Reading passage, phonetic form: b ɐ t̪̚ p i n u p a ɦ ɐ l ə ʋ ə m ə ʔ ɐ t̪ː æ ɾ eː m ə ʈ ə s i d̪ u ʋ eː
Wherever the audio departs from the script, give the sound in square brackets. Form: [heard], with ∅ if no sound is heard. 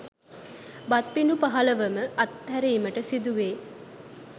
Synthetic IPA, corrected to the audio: b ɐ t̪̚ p i n u p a ɦ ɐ l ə ʋ ə m ə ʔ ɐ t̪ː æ ɾ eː m ə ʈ ə s i d̪ u ʋ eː